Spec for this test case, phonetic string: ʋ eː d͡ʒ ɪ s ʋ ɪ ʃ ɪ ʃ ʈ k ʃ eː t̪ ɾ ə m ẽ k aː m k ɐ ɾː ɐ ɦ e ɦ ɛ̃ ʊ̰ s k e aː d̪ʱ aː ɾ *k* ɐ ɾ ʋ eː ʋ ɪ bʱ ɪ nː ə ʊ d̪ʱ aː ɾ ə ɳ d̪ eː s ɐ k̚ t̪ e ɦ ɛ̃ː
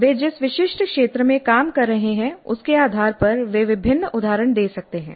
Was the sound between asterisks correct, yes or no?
no